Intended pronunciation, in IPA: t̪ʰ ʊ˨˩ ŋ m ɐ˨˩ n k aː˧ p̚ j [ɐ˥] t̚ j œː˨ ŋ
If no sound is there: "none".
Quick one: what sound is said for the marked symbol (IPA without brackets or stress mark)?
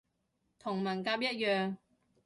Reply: ɐ˥